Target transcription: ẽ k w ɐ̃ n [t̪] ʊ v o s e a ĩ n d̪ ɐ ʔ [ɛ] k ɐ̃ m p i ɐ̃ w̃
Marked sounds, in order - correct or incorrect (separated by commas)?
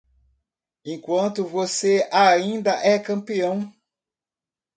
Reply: correct, correct